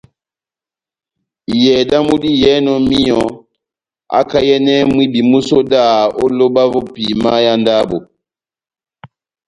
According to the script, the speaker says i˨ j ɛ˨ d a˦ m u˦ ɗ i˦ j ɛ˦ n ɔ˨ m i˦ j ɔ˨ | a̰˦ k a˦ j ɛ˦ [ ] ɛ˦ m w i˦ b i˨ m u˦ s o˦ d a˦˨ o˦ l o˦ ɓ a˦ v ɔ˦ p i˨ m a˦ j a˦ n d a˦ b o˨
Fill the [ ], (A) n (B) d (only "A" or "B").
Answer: A